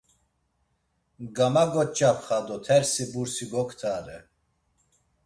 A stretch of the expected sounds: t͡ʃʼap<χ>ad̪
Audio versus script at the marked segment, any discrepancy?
no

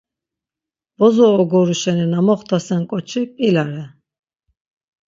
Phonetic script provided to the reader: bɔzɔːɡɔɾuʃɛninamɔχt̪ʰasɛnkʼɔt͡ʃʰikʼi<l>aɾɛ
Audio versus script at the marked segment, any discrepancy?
no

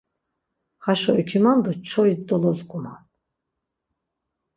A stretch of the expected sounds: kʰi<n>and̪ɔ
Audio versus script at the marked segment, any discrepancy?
yes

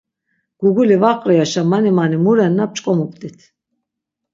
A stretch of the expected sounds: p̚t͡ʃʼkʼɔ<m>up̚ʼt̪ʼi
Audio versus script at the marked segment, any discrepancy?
no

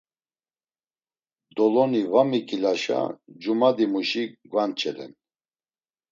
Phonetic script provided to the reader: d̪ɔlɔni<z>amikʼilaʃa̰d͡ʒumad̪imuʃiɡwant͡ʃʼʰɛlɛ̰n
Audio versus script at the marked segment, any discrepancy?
yes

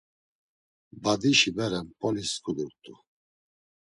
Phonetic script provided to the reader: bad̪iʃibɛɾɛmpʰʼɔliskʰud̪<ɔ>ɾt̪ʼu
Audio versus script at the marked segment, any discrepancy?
yes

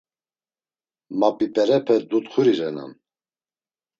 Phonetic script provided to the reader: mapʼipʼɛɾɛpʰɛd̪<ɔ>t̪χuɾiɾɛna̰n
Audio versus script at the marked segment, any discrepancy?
yes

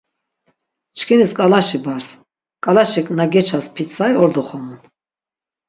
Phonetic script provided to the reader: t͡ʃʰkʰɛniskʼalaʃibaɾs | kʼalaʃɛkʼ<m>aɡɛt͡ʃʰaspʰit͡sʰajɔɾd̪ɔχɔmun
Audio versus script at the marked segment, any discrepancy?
yes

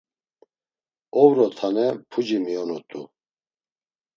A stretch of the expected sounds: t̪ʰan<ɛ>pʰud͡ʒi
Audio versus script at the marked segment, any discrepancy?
no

